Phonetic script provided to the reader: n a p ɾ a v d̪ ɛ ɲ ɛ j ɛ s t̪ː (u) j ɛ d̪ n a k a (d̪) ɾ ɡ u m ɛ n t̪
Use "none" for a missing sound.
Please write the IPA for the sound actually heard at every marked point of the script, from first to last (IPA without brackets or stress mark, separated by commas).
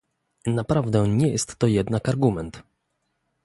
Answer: ɔ, none